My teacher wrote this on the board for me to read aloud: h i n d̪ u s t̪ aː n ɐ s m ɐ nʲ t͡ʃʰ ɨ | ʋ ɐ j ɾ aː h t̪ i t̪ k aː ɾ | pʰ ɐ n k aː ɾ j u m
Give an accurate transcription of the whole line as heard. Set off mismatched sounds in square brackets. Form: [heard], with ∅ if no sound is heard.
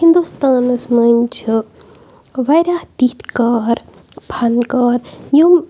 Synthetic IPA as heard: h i n d̪ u s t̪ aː n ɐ s m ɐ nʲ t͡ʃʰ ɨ | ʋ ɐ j ɾ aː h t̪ i t̪ k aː ɾ | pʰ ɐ n k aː ɾ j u m